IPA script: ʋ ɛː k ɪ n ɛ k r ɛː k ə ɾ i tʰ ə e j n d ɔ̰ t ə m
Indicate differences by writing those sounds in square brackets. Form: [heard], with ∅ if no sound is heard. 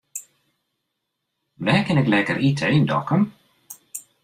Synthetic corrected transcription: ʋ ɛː k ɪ n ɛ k [l] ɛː k ə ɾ i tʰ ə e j n d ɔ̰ [k] ə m